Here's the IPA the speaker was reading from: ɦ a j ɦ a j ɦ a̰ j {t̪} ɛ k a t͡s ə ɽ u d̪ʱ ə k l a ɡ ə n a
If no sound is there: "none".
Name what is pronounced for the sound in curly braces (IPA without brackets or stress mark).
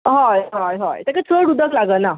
t̪